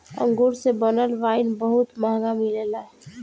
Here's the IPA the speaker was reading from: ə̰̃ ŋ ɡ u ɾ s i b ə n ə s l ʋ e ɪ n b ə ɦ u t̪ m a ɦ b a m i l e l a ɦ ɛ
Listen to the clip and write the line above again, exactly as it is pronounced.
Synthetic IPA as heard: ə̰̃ ŋ ɡ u ɾ s e b ə n ə l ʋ a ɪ n b ə ɦ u t̪ m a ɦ ɡ a m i l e l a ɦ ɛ